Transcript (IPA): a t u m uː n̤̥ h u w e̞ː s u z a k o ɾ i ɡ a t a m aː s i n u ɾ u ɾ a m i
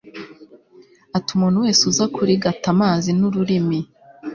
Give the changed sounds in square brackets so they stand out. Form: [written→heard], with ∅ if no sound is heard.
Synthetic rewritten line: a t u m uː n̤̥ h u w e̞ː s u z a k [o→u] ɾ i ɡ a t a m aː [s→z] i n u ɾ u ɾ [a→i] m i